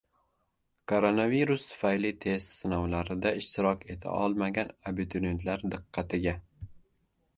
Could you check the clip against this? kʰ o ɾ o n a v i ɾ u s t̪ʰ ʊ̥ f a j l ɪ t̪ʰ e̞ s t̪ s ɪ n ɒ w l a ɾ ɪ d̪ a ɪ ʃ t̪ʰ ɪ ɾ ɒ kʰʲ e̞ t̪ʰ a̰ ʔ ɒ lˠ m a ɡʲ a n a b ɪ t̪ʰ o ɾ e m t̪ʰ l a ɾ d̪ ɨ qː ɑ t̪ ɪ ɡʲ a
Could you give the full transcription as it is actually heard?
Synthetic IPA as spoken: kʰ o ɾ o n a v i ɾ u s t̪ʰ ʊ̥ f a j l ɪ t̪ʰ e̞ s t̪ s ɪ n ɒ w l a ɾ ɪ d̪ a ɪ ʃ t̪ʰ ɪ ɾ ɒ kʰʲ e̞ t̪ʰ a̰ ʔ ɒ lˠ m a ɡʲ a n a b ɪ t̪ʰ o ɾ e n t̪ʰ l a ɾ d̪ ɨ qː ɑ t̪ ɪ ɡʲ a